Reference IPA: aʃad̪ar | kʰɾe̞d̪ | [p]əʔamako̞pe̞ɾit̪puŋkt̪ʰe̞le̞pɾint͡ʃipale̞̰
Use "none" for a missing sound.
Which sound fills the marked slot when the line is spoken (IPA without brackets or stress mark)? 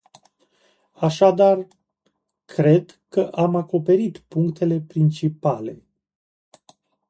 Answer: k